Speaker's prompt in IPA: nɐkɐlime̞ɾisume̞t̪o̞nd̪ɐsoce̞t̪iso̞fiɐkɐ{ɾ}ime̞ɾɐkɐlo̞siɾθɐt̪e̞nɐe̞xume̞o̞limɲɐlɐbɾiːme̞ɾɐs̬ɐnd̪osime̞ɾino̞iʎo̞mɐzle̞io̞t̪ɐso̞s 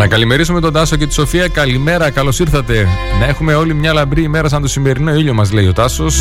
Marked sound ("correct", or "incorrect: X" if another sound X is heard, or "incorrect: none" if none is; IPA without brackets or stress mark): incorrect: l